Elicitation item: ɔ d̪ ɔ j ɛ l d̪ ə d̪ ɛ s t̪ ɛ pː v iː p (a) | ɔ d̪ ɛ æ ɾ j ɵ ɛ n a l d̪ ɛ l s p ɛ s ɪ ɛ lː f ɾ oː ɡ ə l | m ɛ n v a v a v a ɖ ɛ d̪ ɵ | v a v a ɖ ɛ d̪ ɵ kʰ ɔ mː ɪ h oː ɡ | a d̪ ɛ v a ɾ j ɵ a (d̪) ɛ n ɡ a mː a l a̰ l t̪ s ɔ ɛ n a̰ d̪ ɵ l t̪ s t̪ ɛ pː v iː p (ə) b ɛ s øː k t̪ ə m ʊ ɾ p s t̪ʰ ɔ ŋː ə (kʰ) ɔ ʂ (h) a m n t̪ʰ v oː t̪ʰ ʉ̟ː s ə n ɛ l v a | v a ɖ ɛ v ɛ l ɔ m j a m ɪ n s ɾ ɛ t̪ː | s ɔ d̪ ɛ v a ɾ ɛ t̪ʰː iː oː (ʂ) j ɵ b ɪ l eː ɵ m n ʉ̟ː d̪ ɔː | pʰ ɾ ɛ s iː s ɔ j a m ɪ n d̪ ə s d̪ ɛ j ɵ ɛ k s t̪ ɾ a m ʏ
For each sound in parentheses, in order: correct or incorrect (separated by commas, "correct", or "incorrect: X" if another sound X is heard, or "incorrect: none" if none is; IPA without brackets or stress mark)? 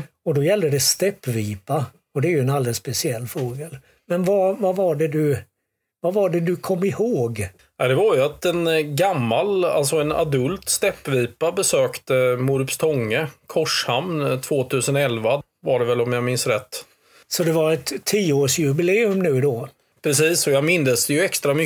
correct, incorrect: t̪, incorrect: a, correct, correct, correct